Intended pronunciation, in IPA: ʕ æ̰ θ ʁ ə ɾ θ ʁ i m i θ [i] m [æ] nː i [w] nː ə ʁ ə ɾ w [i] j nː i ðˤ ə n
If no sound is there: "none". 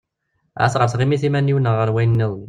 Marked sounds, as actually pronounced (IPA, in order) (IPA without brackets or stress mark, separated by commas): i, æ, w, æ